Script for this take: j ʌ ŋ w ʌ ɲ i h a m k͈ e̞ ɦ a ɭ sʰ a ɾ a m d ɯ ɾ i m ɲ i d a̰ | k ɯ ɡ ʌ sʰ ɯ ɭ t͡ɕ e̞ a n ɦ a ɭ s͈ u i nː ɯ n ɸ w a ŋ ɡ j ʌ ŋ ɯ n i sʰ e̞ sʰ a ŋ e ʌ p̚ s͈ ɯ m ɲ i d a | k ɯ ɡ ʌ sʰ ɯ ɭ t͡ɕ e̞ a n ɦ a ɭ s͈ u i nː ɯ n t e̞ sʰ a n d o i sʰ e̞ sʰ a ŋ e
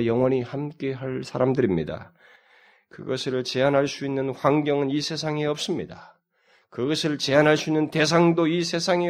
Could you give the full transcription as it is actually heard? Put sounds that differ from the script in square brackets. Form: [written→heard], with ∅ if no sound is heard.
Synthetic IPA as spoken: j ʌ ŋ w ʌ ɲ i h a m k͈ e̞ ɦ a ɭ sʰ a ɾ a m d ɯ ɾ i m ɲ i d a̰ | k ɯ ɡ ʌ sʰ ɯ ɭ t͡ɕ e̞ a n ɦ a ɭ s͈ u i nː ɯ n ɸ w a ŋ ɡ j ʌ ŋ ɯ n i sʰ e̞ sʰ a ŋ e ʌ p̚ s͈ ɯ m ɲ i d a | k ɯ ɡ ʌ sʰ ɯ ɭ t͡ɕ e̞ a n ɦ a ɭ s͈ u i nː ɯ n t e̞ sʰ a [n→ŋ] d o i sʰ e̞ sʰ a ŋ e